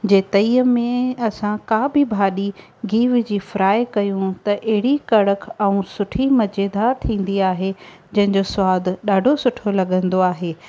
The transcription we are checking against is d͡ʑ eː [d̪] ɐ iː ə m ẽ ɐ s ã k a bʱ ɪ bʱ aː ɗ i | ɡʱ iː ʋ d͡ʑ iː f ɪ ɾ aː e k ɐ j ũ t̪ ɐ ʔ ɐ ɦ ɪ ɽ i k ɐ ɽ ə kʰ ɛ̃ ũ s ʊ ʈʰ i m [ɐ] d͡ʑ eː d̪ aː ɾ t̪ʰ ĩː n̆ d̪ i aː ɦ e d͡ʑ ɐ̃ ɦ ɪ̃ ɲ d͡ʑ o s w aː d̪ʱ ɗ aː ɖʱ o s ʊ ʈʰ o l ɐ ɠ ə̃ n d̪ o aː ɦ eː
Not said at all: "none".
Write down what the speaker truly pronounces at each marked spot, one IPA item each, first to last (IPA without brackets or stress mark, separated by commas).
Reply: t̪, ɐ